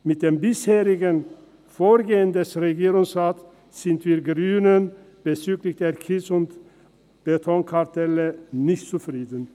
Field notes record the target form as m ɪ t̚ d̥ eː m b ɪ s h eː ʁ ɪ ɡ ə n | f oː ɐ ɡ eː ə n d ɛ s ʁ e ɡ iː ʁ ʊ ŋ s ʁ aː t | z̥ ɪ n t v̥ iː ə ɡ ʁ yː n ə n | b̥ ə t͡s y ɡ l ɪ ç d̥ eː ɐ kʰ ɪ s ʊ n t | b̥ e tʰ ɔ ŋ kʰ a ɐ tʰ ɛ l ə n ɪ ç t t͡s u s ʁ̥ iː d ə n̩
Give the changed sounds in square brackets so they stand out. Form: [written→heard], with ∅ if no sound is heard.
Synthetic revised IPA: m ɪ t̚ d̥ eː m b ɪ s h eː ʁ ɪ ɡ ə n | f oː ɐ ɡ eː ə n d ɛ s ʁ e ɡ iː ʁ ʊ ŋ s ʁ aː t | z̥ ɪ n t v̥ iː [ə→ɐ] ɡ ʁ yː n ə n | b̥ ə t͡s [y→yː] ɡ l ɪ ç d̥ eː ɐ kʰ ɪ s ʊ n t | b̥ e tʰ ɔ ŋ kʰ a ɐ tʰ ɛ l ə n ɪ ç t t͡s u [s→f] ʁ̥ iː d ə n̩

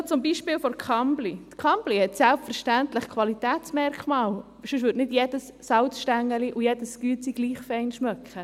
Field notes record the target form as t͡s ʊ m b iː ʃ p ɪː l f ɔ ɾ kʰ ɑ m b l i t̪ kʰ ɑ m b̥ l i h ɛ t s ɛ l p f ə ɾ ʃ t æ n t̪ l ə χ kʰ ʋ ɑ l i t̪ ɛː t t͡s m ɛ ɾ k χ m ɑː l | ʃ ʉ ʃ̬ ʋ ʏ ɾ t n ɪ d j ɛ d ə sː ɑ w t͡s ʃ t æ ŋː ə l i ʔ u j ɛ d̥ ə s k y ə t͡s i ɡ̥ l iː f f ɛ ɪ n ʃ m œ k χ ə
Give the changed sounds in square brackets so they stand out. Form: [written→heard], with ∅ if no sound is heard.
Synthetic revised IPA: t͡s ʊ m b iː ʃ p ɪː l f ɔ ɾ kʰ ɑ m b l i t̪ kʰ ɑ m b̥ l i h ɛ t s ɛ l p f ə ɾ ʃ t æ n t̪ l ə χ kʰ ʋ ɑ l i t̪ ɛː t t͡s m ɛ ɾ k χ m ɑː l | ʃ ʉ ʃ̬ ʋ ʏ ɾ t n ɪ d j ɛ d ə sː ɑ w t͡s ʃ t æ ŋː ə l i ʔ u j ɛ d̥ ə s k y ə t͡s i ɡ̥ l iː [f→χ] f ɛ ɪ n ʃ m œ k χ ə

